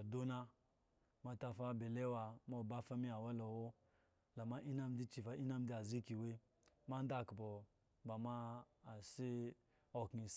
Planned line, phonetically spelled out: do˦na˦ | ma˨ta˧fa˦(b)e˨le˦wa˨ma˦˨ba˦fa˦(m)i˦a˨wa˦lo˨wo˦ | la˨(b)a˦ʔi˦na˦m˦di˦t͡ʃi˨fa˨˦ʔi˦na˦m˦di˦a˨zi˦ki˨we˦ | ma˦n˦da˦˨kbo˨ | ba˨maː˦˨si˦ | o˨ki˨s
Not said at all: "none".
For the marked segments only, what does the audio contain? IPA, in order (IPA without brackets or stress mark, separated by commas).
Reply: b, m, m